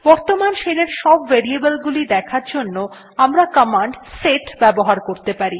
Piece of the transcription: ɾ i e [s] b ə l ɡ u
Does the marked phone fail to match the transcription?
yes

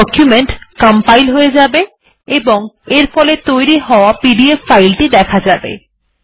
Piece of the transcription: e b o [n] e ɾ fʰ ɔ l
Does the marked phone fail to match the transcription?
yes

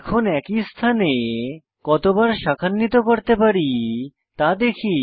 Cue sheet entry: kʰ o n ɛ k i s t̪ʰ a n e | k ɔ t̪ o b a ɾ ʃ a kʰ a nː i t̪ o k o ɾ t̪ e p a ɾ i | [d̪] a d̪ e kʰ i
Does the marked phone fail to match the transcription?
yes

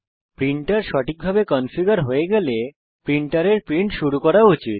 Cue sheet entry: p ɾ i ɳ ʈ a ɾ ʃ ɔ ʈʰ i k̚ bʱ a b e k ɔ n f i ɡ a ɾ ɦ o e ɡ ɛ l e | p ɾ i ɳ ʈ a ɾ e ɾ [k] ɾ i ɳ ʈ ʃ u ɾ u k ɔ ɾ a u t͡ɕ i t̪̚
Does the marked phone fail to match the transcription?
yes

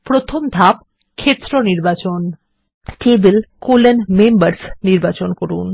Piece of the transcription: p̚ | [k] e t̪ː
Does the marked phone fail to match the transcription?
yes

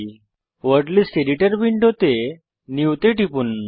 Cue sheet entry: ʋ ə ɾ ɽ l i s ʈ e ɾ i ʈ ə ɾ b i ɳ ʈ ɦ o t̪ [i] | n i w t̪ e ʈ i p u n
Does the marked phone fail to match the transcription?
yes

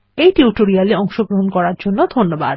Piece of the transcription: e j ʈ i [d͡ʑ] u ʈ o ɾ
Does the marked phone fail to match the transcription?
yes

